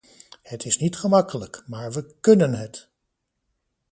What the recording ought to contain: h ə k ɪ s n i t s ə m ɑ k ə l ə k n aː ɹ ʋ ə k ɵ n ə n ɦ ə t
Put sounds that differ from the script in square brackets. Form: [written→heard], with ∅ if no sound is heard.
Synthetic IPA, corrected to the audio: h ə [k→t] ɪ s n i t [s→χ] ə m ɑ k ə l ə k [n→m] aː ɹ ʋ ə k ɵ n ə n ɦ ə t